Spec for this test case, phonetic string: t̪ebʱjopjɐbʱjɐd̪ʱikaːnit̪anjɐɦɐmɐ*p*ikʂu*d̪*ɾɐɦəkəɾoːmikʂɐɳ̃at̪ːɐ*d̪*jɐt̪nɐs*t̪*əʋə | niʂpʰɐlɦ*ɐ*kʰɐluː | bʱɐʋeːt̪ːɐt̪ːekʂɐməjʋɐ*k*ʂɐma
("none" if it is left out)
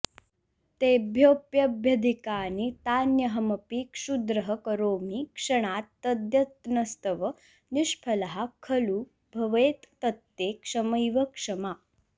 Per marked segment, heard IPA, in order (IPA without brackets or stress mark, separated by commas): p, d̪, d̪, t̪, a, k